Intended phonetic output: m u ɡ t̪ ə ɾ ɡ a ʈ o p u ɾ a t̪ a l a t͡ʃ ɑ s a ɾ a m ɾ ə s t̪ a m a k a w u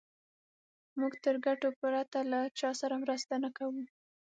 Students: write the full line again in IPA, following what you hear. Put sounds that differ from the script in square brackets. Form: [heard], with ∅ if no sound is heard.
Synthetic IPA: m u ɡ t̪ ə ɾ ɡ a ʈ o p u ɾ a t̪ a l a t͡ʃ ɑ s a ɾ a m ɾ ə s t̪ a [n] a k a w u